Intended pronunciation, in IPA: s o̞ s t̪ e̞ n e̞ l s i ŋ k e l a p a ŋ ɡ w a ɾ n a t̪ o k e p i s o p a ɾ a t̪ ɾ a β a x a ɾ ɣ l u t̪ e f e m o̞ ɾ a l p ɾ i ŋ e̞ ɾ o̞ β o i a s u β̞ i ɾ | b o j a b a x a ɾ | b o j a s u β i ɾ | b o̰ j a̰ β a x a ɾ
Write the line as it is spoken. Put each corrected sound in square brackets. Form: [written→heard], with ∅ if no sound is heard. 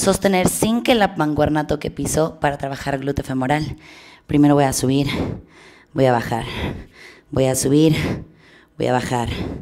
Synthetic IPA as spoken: s o̞ s t̪ e̞ n e̞ [l→ɾ] s i ŋ k e l a p a ŋ ɡ w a ɾ n a t̪ o k e p i s o p a ɾ a t̪ ɾ a β a x a ɾ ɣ l u t̪ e f e m o̞ ɾ a l p ɾ i [ŋ→m] e̞ ɾ o̞ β o [i→j] a s u β̞ i ɾ | b o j a [b→β] a x a ɾ | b o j a s u β i ɾ | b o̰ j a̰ β a x a ɾ